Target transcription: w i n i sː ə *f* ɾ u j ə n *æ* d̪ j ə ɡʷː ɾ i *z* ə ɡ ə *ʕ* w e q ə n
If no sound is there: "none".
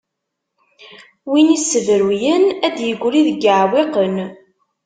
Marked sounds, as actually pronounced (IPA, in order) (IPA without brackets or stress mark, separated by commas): v, æ, ð, ʕ